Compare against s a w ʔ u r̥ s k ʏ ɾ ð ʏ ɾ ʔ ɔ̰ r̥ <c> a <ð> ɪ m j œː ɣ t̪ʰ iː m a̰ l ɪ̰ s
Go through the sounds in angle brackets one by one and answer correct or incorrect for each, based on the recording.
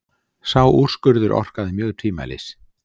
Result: incorrect: k, correct

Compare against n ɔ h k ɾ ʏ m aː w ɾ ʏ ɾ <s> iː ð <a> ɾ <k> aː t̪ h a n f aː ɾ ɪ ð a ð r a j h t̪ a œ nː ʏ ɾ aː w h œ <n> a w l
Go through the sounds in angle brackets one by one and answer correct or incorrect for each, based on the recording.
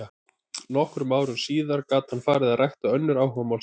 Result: correct, correct, correct, incorrect: m

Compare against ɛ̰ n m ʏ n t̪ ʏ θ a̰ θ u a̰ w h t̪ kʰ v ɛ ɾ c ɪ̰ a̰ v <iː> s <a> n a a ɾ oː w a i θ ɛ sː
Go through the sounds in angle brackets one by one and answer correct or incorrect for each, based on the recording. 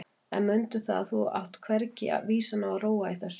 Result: correct, correct

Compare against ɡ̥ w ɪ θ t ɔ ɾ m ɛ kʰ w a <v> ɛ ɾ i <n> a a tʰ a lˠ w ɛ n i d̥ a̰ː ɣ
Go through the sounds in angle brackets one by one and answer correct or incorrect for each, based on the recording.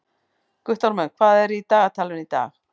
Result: incorrect: ð, incorrect: d

